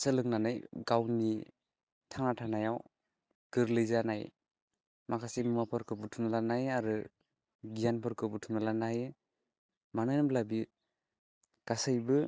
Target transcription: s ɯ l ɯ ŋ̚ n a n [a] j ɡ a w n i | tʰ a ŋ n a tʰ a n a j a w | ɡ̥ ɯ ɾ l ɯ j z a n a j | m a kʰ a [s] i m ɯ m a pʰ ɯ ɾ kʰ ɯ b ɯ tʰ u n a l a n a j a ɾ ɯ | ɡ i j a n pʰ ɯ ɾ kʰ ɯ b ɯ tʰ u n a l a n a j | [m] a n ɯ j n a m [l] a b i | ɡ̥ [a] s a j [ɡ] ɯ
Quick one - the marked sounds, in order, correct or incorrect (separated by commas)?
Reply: correct, correct, correct, correct, correct, incorrect